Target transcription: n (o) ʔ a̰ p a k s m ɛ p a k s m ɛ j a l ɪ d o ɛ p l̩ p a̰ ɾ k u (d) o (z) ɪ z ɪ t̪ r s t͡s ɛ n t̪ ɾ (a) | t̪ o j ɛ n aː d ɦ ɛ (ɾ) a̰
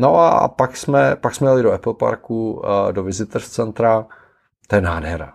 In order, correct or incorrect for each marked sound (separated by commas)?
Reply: correct, correct, incorrect, correct, correct